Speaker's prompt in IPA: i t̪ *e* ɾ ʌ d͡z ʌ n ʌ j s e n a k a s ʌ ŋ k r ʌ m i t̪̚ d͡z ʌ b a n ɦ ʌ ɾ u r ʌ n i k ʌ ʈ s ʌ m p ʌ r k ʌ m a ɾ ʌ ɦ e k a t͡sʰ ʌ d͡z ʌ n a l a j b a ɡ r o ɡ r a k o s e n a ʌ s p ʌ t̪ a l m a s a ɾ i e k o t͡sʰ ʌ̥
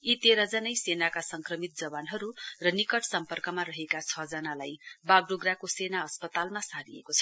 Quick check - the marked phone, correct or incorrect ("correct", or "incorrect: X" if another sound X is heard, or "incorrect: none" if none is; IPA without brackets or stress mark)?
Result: correct